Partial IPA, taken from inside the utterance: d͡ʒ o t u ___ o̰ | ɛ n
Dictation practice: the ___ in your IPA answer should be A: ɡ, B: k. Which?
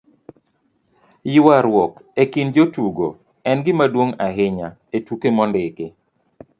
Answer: A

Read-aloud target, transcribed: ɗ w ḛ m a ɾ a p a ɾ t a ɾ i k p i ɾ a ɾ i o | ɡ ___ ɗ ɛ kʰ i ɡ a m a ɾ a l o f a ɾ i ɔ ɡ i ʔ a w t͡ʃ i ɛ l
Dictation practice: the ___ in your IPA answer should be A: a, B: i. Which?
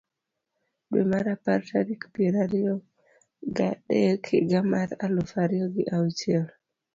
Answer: A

